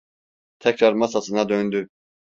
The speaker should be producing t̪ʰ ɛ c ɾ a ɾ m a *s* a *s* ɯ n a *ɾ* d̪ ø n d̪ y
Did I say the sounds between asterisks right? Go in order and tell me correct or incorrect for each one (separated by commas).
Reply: correct, correct, incorrect